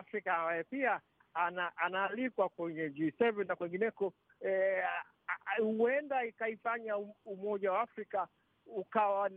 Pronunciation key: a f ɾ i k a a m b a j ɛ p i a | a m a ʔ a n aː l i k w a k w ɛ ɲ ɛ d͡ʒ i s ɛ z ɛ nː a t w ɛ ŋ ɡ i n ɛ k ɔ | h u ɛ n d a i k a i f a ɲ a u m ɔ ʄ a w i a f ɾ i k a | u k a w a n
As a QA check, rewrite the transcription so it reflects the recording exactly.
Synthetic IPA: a f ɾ i k a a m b a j ɛ p i a | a n a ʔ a n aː l i k w a k w ɛ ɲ ɛ d͡ʒ i s ɛ v ɛ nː a k w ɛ ŋ ɡ i n ɛ k ɔ | h u ɛ n d a i k a i f a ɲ a u m ɔ ʄ a w a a f ɾ i k a | u k a w a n